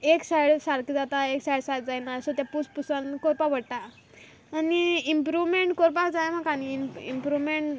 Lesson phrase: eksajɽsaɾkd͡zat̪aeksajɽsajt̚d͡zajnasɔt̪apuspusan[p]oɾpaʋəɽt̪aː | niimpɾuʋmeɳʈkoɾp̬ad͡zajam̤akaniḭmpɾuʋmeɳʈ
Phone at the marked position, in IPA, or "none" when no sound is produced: k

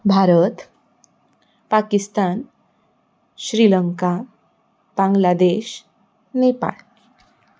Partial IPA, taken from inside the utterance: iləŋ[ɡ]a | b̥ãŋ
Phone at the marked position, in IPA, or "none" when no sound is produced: k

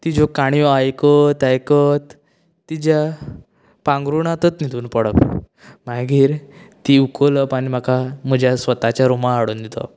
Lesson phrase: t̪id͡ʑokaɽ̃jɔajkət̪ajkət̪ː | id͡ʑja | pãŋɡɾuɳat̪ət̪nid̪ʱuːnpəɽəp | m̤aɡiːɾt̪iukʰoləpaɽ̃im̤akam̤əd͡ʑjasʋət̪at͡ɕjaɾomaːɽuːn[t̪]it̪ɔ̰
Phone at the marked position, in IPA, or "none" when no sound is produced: d̪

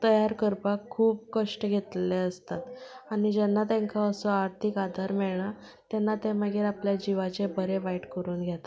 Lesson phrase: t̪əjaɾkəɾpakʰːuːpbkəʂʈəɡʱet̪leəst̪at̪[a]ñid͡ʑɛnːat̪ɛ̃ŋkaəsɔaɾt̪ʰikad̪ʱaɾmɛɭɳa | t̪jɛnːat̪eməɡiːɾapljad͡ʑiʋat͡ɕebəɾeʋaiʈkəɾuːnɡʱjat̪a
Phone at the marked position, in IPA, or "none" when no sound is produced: a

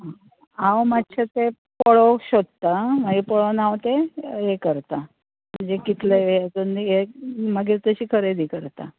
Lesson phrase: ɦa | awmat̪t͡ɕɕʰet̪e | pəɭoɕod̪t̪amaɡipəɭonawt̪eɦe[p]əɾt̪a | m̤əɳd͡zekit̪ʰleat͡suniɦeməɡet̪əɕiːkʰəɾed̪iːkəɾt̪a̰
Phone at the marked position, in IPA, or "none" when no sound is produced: k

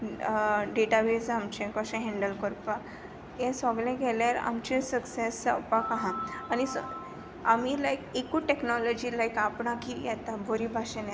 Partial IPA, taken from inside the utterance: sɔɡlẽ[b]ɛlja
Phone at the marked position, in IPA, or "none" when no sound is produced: ɡ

